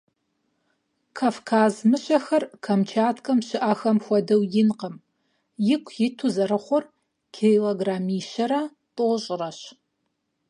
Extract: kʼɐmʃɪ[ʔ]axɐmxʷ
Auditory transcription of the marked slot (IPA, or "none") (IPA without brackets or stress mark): ʔ